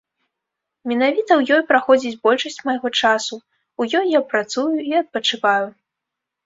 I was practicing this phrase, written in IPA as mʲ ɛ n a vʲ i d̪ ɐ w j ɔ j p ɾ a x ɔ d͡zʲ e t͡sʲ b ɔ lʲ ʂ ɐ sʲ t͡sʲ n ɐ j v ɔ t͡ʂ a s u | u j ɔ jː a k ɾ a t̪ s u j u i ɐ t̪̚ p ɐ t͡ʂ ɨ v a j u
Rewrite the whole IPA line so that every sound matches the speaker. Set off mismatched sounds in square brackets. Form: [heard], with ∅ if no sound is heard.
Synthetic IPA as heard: mʲ ɛ n a vʲ i [t̪] ɐ w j ɔ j p ɾ a x ɔ d͡zʲ [i] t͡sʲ b ɔ lʲ ʂ ɐ sʲ t͡sʲ [m] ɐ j [ɣ] ɔ t͡ʂ a s u | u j ɔ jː a [p] ɾ a t̪ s u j u i ɐ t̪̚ p ɐ t͡ʂ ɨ v a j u